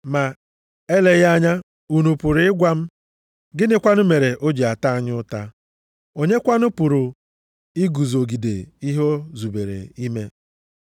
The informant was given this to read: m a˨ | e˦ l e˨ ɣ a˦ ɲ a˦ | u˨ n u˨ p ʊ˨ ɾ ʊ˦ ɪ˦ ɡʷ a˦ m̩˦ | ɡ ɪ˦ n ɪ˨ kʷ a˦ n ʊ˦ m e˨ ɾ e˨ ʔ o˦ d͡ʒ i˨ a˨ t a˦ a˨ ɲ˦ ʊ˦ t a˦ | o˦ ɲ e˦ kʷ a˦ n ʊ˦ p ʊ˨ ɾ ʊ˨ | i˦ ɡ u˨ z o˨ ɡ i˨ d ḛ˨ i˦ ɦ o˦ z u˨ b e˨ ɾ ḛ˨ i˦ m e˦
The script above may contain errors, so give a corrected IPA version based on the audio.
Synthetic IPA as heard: m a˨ | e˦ l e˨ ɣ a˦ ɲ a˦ | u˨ n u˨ p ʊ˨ ɾ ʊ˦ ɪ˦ ɡʷ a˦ m̩˦ | ɡ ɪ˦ n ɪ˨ kʷ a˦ n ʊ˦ m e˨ ɾ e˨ ʔ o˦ d͡ʒ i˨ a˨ t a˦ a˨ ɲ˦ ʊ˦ t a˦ | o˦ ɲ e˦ kʷ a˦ n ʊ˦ p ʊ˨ ɾ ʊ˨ | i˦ ɡ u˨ z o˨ ɡ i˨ d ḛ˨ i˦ ɦ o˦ z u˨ b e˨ ɾ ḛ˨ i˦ m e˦